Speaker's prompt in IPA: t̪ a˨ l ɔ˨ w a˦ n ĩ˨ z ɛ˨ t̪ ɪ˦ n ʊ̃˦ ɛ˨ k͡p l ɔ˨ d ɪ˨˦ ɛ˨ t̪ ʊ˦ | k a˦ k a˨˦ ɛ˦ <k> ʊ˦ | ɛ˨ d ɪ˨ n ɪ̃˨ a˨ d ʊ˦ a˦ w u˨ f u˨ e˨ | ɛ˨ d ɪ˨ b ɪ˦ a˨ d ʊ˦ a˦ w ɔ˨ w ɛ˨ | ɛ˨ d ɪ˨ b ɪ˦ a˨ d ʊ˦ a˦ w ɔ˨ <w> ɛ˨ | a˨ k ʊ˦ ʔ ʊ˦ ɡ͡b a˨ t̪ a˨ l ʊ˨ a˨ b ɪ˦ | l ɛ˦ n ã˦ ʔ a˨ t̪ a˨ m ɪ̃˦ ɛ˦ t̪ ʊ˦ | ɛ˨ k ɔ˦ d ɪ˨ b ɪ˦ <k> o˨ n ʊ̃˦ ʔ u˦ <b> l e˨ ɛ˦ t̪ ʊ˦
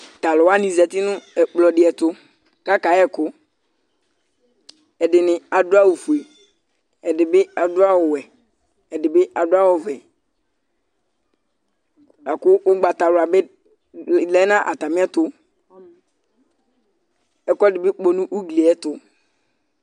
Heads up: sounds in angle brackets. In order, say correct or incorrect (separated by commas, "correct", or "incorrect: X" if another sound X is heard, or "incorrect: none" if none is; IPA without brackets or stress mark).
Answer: correct, incorrect: v, incorrect: k͡p, incorrect: ɡ